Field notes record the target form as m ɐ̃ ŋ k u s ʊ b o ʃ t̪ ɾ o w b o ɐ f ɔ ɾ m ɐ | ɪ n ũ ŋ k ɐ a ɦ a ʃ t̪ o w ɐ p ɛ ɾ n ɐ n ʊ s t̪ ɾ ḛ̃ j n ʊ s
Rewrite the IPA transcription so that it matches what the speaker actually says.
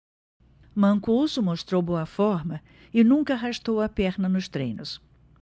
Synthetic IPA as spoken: m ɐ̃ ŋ k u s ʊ m o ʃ t̪ ɾ o w b o ɐ f ɔ ɾ m ɐ | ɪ n ũ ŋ k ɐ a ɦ a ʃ t̪ o w ɐ p ɛ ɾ n ɐ n ʊ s t̪ ɾ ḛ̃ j n ʊ s